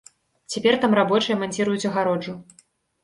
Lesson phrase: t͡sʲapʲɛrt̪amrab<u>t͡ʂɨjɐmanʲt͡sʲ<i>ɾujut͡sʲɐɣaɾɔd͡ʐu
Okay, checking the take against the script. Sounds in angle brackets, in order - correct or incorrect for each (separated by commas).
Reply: incorrect, correct